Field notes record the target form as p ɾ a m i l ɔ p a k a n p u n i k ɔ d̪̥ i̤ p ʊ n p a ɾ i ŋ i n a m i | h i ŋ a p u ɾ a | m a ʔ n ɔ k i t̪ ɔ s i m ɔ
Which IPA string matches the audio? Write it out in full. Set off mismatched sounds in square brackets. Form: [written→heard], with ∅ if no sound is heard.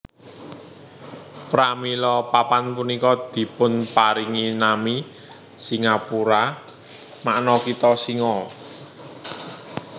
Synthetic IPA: p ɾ a m i l ɔ p a [k→p] a n p u n i k ɔ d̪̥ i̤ p ʊ n p a ɾ i ŋ i n a m i | [h→s] i ŋ a p u ɾ a | m a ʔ n ɔ k i t̪ ɔ s i [m→ŋ] ɔ